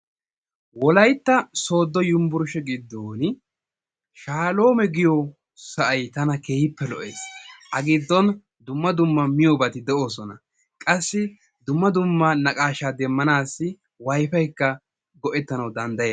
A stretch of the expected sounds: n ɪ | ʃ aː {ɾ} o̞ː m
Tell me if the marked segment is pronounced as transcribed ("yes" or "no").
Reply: no